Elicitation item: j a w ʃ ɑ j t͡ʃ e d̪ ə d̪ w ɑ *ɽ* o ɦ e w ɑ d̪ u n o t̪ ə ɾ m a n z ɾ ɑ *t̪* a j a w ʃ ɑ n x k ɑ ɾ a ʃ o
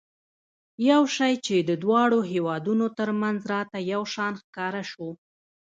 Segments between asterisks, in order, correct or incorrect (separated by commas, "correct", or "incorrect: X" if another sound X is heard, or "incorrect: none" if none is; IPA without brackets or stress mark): correct, correct